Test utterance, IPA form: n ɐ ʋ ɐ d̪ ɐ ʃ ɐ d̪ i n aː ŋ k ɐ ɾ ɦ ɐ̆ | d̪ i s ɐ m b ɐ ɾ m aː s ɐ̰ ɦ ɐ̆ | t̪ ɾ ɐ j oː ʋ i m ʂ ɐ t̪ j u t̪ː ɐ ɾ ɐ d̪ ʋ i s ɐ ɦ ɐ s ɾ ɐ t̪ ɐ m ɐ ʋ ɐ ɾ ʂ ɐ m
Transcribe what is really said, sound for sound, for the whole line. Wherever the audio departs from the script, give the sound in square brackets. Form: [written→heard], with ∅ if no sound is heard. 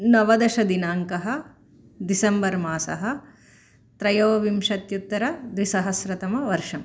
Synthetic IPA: n ɐ ʋ ɐ d̪ ɐ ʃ ɐ d̪ i n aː ŋ k ɐ [ɾ→∅] ɦ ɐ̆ | d̪ i s ɐ m b ɐ ɾ m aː s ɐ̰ ɦ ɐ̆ | t̪ ɾ ɐ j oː ʋ i m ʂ ɐ t̪ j u t̪ː ɐ ɾ ɐ d̪ ʋ i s ɐ ɦ ɐ s ɾ ɐ t̪ ɐ m ɐ ʋ ɐ ɾ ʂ ɐ m